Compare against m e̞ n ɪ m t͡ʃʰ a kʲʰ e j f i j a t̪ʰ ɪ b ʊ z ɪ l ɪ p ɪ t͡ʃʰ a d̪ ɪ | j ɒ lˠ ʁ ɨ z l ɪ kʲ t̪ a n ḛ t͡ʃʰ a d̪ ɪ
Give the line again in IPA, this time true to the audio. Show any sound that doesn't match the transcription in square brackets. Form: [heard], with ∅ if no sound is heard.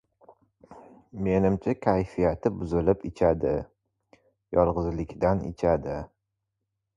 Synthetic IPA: m e̞ n ɪ m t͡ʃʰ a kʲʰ [a] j f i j a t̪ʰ ɪ b ʊ z ɪ l ɪ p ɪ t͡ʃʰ a d̪ ɪ | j ɒ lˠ ʁ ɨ z l ɪ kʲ [d̪] a n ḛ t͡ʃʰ a d̪ ɪ